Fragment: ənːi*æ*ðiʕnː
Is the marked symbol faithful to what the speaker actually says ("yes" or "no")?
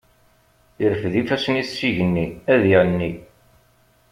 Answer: yes